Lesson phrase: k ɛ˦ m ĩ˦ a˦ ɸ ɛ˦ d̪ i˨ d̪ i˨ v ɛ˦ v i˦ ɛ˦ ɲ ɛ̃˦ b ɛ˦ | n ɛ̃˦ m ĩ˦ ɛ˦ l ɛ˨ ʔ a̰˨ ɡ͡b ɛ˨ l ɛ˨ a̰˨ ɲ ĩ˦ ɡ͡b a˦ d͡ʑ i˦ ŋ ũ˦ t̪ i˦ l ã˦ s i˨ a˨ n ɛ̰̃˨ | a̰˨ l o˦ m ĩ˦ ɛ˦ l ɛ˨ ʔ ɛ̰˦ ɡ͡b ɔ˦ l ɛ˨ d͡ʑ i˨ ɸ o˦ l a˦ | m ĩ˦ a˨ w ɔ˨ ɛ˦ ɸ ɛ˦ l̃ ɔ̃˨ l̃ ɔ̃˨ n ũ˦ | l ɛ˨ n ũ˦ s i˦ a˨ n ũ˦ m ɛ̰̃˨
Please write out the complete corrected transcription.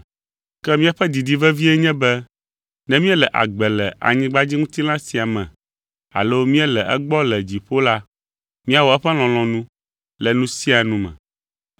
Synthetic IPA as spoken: k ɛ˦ m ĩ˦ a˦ ɸ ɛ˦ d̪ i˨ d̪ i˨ v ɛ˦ v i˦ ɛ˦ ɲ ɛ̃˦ b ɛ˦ | n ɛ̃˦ m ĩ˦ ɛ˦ l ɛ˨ ʔ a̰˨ ɡ͡b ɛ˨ l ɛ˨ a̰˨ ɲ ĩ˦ ɡ͡b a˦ d͡ʑ i˦ ŋ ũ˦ t̪ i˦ l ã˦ s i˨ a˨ m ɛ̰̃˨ | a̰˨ l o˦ m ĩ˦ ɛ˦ l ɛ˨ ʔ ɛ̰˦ ɡ͡b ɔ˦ l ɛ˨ d͡ʑ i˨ ɸ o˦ l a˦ | m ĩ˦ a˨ w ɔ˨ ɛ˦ ɸ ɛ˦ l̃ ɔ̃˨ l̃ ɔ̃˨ n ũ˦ | l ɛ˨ n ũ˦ s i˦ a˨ n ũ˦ m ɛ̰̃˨